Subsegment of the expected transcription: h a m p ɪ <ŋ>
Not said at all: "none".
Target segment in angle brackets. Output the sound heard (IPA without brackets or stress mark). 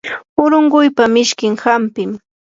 m